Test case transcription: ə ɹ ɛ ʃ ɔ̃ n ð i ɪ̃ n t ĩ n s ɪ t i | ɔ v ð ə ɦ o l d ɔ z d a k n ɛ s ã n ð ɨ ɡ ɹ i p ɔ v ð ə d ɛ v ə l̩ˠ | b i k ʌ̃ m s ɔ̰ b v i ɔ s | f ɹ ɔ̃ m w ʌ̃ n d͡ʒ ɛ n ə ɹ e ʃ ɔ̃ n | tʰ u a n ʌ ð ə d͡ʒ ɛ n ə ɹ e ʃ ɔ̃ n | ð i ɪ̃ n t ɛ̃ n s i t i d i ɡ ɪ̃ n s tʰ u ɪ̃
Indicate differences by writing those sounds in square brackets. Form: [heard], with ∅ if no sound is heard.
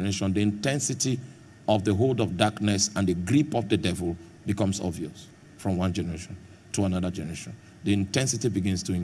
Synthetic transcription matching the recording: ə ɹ [e] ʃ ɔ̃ n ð i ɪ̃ n t [ɛ̃] n s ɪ t i | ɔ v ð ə ɦ o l d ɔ [v] d a k n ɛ s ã n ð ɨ ɡ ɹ i p ɔ v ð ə d ɛ v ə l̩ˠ | b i k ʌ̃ m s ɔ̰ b v i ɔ s | f ɹ ɔ̃ m w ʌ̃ n d͡ʒ ɛ n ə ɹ e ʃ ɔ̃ n | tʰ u a n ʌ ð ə d͡ʒ ɛ n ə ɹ e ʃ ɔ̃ n | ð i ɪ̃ n t ɛ̃ n s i t i [b] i ɡ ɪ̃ n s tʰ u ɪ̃